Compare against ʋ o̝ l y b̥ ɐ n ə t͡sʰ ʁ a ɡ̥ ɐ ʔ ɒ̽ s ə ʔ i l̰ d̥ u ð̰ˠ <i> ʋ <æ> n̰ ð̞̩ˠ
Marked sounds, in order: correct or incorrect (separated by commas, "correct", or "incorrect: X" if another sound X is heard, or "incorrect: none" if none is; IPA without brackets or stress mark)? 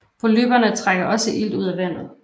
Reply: incorrect: æ, correct